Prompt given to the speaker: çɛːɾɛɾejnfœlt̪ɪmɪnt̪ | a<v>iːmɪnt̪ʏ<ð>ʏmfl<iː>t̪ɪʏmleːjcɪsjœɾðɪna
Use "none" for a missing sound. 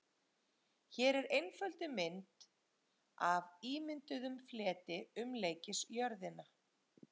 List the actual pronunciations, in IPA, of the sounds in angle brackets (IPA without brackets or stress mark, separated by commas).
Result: v, ð, ɛː